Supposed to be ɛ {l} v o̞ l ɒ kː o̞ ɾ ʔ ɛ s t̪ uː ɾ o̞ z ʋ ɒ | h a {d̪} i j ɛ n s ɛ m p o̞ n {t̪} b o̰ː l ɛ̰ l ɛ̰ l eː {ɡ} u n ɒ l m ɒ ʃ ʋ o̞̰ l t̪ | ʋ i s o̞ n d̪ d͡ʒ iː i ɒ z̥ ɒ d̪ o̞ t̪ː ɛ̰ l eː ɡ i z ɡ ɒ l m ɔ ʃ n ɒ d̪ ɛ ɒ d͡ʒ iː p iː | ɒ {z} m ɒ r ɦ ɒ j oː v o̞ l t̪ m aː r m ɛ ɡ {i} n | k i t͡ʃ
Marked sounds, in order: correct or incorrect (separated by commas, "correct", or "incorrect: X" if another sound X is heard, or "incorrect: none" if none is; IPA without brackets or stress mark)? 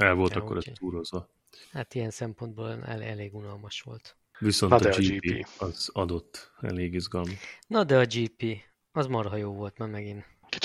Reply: correct, incorrect: t̪, incorrect: d̪, correct, correct, correct